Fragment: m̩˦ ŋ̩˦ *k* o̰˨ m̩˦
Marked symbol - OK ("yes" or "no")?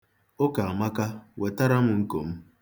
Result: yes